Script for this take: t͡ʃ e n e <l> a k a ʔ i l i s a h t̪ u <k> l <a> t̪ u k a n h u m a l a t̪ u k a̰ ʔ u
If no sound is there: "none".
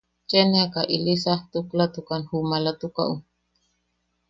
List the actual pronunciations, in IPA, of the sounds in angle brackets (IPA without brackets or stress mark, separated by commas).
none, k, a